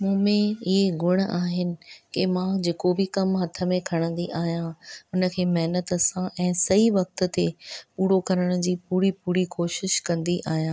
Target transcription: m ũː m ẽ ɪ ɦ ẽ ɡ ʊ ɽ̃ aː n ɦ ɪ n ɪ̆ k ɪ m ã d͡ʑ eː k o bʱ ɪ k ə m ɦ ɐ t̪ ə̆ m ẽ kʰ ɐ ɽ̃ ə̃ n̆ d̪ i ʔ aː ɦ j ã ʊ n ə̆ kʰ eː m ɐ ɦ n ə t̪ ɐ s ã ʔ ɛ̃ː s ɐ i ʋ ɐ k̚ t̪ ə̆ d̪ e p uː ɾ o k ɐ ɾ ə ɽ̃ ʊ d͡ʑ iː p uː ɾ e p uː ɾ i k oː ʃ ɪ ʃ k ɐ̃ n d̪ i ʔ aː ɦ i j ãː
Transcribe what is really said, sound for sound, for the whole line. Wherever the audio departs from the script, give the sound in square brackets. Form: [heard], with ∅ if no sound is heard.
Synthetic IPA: m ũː m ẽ ɪ ɦ [e] ɡ ʊ ɽ̃ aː [∅] ɦ ɪ n ɪ̆ k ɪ m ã d͡ʑ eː k o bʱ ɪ k [ɐ] m ɦ ɐ [t̪ʰ] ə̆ m ẽ kʰ ɐ ɽ̃ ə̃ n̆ d̪ i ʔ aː ɦ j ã ʊ n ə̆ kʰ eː m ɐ ɦ n ə t̪ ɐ s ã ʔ ɛ̃ː s ɐ i ʋ ɐ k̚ t̪ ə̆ [t̪] e p uː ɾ o k ɐ ɾ ə ɽ̃ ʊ d͡ʑ iː p uː ɾ [i] p uː ɾ i k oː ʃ ɪ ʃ k ɐ̃ n d̪ i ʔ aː ɦ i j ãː